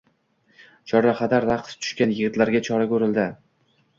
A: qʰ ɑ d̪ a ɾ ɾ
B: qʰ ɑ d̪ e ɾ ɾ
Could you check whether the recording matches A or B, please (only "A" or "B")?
A